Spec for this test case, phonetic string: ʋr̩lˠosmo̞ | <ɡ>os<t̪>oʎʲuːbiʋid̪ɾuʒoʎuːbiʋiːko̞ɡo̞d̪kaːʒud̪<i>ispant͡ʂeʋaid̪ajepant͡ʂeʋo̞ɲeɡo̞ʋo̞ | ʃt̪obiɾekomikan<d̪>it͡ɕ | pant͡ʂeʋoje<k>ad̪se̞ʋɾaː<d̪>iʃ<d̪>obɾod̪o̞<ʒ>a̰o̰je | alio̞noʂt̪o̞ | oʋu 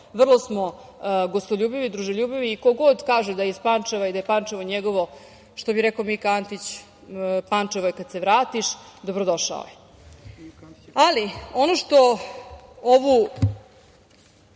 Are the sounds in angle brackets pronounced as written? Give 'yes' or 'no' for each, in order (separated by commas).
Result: yes, yes, no, no, yes, no, yes, no